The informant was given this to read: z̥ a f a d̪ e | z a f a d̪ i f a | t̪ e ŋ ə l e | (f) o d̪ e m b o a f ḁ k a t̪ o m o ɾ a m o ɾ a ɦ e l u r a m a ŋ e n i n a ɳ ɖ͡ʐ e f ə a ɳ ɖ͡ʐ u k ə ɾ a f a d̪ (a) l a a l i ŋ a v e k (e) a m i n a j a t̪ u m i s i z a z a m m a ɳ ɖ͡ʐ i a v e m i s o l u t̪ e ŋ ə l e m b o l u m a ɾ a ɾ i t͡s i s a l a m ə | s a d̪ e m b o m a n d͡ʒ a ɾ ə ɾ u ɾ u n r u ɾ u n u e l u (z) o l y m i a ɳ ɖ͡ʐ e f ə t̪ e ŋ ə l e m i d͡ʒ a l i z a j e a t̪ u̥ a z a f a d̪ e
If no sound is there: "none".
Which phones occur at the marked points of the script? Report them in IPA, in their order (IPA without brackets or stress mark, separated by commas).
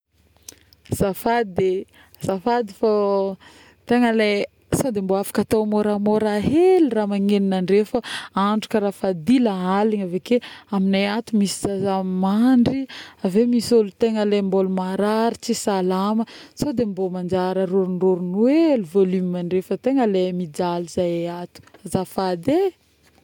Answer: s, i, e, v